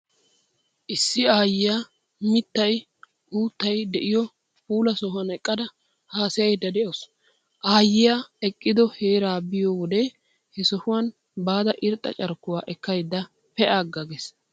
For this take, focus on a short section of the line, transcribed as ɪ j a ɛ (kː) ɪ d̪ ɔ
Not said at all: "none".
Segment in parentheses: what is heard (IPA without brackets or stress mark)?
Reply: kʼː